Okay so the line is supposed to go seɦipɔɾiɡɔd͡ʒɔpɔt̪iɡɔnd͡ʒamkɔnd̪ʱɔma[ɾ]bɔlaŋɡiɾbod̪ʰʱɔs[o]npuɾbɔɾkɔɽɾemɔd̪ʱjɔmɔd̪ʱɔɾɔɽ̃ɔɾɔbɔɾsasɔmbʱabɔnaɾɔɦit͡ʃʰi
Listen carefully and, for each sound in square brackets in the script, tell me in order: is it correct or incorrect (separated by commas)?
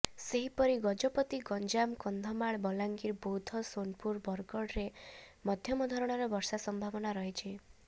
incorrect, correct